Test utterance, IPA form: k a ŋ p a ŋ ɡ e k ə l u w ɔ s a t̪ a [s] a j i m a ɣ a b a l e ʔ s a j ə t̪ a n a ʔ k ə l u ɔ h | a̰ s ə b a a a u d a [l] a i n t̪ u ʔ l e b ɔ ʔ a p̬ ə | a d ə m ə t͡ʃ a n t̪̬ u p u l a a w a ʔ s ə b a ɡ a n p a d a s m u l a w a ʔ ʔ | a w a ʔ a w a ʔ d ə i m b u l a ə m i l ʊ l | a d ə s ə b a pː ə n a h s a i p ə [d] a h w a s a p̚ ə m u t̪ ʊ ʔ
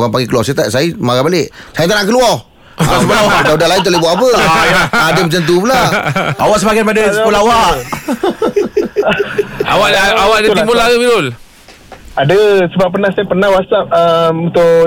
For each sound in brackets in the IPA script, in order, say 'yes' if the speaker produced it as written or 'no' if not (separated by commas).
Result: yes, yes, no